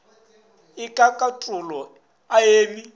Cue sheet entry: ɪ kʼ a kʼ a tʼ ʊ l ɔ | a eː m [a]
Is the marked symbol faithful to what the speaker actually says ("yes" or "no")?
no